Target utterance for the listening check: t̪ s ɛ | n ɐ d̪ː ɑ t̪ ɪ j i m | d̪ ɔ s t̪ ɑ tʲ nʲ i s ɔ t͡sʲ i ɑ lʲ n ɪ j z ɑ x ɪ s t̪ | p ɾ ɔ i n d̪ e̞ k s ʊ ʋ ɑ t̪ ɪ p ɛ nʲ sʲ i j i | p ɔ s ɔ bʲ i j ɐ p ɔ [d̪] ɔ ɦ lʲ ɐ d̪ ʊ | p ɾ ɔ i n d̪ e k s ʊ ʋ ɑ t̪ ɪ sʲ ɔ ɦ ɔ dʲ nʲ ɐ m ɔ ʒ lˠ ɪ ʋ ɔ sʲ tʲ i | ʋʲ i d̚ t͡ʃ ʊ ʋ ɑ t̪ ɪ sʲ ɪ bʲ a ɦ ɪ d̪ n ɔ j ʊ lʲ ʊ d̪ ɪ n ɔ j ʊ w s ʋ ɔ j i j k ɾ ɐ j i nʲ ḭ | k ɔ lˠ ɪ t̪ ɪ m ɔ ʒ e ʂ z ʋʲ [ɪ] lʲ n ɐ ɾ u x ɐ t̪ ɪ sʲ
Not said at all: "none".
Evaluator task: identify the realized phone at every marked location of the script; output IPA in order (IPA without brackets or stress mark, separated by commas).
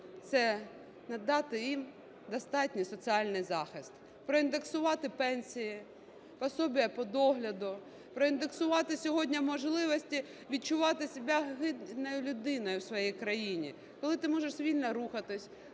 d̪, i